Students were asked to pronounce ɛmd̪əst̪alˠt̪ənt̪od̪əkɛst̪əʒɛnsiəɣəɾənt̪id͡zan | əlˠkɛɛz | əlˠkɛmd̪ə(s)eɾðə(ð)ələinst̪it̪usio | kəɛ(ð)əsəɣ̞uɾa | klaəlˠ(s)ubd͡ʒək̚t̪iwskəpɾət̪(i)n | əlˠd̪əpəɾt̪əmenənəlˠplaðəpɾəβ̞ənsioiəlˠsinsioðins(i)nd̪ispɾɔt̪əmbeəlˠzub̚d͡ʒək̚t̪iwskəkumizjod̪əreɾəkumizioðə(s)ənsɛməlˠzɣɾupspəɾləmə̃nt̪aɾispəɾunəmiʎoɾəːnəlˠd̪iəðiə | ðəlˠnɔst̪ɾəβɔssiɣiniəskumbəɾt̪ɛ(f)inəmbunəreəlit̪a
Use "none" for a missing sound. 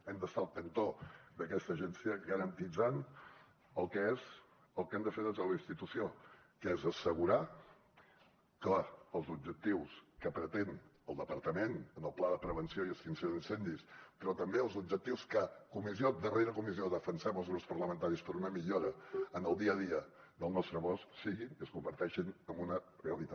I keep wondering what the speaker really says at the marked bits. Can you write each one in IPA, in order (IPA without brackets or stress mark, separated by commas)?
f, z, z, z, e, ɛ, f, ʃ